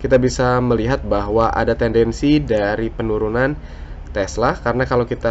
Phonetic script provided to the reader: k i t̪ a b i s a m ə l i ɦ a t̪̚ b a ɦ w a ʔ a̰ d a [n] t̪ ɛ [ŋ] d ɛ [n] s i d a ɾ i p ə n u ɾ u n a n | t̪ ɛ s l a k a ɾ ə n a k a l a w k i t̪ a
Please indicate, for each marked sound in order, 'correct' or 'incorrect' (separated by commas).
incorrect, incorrect, correct